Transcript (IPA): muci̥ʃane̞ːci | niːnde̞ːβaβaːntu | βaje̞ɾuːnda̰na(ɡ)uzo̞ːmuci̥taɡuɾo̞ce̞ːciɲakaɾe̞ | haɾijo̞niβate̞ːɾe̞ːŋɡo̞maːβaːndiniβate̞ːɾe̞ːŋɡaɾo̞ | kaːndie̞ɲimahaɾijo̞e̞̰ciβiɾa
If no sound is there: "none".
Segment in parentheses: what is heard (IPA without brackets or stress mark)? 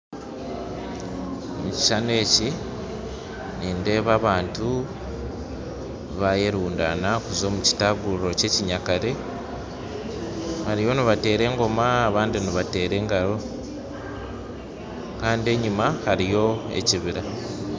k